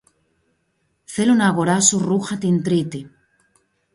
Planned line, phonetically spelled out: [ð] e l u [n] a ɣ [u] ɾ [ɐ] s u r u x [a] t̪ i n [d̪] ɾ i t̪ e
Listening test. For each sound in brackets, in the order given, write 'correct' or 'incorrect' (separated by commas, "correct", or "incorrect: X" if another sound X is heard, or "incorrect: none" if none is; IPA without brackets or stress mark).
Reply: incorrect: θ, correct, incorrect: o, incorrect: a, correct, incorrect: t̪